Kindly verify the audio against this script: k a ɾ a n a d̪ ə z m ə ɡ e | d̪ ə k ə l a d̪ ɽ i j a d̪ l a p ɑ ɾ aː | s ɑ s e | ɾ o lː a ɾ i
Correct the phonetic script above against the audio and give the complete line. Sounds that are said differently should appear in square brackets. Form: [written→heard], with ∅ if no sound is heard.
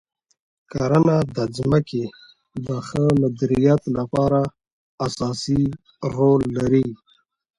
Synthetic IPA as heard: k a ɾ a n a d̪ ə z m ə [ɡ→k] e | d̪ ə [k→x] ə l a d̪ [ɽ→ɾ] i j a [d̪→t̪] l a p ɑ ɾ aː | s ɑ s [e→i] | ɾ o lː a ɾ i